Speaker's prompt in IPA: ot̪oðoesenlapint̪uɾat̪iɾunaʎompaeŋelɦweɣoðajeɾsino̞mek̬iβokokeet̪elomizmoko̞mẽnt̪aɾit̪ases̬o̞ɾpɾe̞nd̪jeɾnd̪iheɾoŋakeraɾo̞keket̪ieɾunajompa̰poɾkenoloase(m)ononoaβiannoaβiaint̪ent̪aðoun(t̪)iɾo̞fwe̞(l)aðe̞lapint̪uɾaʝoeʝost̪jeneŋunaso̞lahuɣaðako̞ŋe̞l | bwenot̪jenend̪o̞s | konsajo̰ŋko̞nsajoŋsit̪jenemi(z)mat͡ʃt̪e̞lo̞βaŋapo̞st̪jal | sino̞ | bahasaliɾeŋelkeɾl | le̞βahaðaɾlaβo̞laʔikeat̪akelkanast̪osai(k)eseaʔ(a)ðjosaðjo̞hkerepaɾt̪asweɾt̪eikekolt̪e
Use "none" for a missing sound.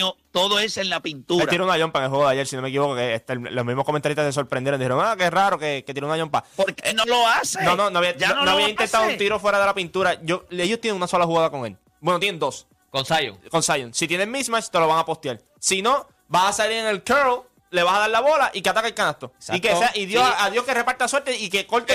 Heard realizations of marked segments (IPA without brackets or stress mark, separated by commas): n, t̪, ɾ, s, k, i